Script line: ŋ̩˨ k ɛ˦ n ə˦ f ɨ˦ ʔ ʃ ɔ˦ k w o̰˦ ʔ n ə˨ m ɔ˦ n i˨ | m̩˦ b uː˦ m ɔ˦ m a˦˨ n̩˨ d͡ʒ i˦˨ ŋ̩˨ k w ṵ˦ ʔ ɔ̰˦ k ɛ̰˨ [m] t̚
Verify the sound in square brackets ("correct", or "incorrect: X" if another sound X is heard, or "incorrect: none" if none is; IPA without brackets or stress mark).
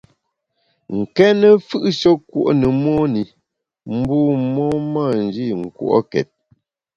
incorrect: none